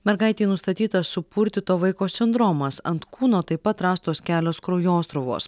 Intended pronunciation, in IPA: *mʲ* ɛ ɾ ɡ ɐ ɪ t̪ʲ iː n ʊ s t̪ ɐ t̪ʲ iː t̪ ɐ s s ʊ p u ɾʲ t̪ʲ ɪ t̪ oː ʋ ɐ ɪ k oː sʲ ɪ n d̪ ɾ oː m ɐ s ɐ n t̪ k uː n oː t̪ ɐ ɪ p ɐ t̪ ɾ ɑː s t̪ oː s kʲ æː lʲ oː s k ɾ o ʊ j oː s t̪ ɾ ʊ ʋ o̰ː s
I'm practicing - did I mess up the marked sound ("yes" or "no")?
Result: no